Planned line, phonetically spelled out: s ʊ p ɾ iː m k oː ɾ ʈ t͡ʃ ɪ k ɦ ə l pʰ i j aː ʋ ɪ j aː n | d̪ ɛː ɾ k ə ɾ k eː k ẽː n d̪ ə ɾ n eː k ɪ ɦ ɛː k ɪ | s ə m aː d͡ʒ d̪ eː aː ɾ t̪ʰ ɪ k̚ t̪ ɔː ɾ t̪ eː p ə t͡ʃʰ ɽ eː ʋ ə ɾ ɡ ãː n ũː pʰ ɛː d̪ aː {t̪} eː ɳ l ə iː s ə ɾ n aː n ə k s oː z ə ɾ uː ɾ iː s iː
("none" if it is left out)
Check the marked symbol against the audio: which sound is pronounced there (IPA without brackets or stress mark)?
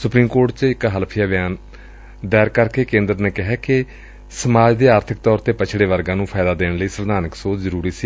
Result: d̪